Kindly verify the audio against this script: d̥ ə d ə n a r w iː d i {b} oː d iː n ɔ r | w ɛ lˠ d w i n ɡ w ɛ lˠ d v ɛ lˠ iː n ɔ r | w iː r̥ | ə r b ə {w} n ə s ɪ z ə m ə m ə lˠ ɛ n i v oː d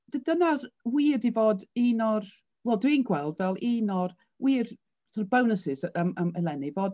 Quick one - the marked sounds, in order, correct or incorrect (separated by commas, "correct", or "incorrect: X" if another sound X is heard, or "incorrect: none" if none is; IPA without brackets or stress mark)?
incorrect: v, correct